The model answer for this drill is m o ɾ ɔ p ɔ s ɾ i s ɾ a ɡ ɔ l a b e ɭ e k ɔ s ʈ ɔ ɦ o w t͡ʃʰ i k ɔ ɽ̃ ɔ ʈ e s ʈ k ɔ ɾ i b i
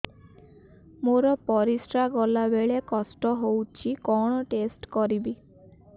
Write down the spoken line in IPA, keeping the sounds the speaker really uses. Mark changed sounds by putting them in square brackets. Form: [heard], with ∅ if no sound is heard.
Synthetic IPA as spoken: m o ɾ ɔ p ɔ [∅] ɾ i s ɾ a ɡ ɔ l a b e ɭ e k ɔ s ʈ ɔ ɦ o w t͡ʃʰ i k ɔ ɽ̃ ɔ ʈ e s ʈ k ɔ ɾ i b i